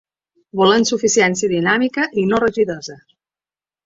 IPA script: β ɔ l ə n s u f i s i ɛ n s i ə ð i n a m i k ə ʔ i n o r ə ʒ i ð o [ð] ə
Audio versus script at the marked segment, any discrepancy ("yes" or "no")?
yes